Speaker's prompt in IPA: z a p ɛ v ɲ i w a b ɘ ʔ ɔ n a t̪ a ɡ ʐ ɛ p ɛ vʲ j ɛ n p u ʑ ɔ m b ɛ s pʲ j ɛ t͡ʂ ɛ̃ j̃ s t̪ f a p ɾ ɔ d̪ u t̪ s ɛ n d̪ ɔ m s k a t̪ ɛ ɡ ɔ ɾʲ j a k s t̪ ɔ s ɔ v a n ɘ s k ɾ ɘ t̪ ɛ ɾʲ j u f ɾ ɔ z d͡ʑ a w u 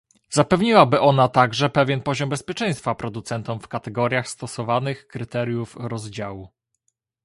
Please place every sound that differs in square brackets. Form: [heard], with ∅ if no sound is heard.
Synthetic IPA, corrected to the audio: z a p ɛ v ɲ i w a b ɘ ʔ ɔ n a t̪ a ɡ ʐ ɛ p ɛ vʲ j ɛ n p [ɔ] ʑ ɔ m b ɛ s pʲ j ɛ t͡ʂ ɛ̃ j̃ s t̪ f a p ɾ ɔ d̪ u t̪ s ɛ n [t̪] ɔ m [f] k a t̪ ɛ ɡ ɔ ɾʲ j a [x] s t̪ ɔ s ɔ v a n ɘ [x] k ɾ ɘ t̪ ɛ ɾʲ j u f ɾ ɔ z d͡ʑ a w u